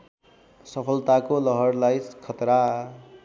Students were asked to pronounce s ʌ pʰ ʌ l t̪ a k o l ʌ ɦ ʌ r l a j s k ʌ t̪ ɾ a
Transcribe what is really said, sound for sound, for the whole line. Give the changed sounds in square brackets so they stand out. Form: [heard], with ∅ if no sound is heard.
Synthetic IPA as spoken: s ʌ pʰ ʌ l t̪ a k o l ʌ ɦ ʌ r l a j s [kʰ] ʌ t̪ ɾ a